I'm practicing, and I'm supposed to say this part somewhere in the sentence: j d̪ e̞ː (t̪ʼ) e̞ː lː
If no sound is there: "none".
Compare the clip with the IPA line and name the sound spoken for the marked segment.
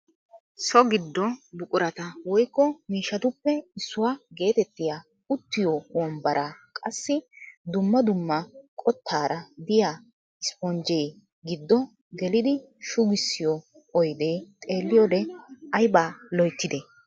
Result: t̪ʼ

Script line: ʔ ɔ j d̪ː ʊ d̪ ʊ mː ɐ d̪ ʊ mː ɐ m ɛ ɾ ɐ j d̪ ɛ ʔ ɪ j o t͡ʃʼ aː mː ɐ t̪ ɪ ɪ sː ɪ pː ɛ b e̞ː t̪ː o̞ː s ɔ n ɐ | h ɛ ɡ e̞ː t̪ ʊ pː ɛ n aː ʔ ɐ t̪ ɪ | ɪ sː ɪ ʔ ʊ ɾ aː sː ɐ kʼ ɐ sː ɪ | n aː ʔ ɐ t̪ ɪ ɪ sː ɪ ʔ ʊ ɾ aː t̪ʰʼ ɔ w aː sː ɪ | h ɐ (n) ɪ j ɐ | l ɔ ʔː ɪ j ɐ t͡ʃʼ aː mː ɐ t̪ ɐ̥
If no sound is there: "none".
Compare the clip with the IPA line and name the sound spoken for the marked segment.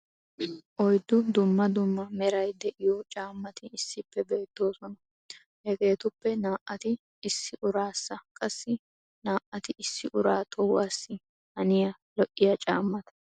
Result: n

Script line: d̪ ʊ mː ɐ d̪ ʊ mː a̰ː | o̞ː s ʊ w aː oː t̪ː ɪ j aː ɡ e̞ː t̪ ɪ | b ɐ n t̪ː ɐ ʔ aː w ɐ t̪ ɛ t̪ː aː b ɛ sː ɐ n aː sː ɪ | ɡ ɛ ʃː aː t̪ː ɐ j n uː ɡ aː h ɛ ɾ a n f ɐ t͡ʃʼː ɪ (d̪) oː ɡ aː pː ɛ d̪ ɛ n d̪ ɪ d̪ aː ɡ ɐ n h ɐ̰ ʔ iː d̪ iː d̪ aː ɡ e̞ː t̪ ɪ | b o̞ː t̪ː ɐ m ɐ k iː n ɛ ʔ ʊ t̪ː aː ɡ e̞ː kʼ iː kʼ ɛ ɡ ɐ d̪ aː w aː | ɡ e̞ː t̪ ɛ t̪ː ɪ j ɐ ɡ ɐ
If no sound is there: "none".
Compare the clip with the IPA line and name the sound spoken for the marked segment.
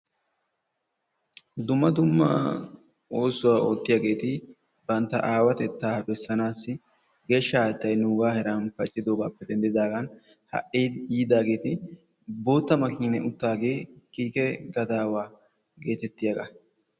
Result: d̪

